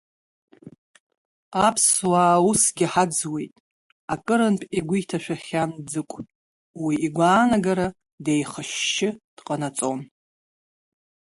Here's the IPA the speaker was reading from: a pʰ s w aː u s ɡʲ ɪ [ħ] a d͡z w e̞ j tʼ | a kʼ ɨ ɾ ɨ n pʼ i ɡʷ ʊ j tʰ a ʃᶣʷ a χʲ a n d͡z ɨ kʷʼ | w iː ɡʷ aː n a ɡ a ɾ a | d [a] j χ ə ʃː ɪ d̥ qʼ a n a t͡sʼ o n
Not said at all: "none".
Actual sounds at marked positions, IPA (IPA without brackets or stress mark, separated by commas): ħ, e